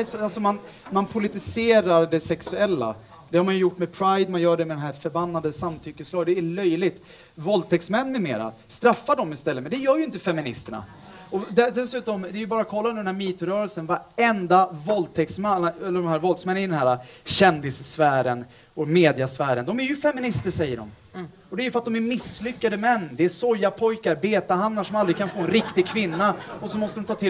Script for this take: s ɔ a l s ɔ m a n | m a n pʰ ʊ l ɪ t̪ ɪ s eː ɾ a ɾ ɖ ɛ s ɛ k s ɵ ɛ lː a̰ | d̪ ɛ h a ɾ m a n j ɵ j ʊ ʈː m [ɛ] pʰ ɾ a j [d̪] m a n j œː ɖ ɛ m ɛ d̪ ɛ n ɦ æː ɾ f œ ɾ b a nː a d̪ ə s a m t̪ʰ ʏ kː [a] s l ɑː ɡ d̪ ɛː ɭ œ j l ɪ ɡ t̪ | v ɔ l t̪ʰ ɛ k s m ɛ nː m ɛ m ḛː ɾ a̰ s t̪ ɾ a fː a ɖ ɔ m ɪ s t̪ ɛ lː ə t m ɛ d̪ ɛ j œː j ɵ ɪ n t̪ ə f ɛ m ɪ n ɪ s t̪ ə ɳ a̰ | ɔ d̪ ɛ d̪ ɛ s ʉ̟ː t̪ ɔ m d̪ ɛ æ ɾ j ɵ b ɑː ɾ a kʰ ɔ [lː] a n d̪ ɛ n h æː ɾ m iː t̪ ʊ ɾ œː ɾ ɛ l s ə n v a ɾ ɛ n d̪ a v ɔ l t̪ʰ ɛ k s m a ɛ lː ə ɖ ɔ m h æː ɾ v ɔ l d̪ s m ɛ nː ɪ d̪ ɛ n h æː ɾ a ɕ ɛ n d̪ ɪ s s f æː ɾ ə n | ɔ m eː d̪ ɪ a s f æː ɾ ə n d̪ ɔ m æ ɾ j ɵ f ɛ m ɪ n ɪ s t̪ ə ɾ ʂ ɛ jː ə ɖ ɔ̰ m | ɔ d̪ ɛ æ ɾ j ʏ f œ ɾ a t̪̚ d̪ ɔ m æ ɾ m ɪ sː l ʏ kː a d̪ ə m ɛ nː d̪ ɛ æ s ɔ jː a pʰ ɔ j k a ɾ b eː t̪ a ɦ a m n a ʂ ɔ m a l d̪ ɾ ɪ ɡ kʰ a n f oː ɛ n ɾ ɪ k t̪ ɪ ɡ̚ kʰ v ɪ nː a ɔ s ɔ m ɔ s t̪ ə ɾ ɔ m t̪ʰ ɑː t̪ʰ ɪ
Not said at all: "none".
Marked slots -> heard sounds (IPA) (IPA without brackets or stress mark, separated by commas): ɛ, d̪, ə, lː